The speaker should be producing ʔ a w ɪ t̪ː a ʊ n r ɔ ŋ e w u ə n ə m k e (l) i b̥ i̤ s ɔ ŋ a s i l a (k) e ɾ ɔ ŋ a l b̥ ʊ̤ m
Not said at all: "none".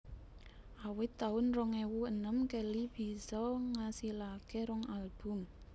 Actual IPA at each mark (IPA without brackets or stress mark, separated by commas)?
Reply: l, k